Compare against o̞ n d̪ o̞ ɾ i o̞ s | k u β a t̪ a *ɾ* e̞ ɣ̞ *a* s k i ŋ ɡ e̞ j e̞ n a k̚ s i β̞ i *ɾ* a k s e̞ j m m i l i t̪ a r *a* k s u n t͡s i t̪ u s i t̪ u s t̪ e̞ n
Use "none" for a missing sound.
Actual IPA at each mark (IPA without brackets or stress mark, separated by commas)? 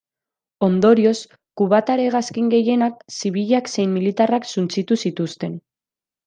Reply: ɾ, a, ʎ, a